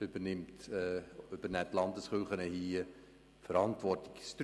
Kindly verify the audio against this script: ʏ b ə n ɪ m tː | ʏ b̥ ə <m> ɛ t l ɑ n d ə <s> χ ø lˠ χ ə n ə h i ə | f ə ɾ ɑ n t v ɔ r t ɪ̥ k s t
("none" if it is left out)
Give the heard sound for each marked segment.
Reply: n, s

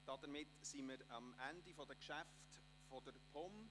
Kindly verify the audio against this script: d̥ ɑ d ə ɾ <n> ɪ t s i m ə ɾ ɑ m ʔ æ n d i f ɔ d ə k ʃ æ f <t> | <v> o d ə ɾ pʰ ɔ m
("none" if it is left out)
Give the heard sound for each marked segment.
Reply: m, t, f

